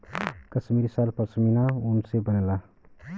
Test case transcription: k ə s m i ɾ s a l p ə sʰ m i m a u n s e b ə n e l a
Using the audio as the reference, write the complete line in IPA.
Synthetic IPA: k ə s m i ɾ s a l p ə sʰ m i n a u n s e b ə n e l a